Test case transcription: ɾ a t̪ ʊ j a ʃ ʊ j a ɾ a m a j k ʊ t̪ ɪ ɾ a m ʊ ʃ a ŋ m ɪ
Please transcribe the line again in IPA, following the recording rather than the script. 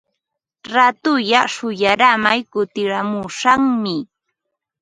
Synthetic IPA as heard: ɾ a t̪ ʊ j a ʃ ʊ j a ɾ a m a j k ʊ t̪ ɪ ɾ a m ʊ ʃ a ŋ m ɪ